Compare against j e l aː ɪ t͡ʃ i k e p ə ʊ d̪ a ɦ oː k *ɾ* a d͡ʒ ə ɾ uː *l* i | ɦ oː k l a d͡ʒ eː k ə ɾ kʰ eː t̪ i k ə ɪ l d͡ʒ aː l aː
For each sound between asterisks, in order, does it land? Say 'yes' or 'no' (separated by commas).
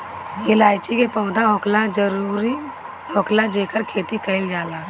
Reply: no, no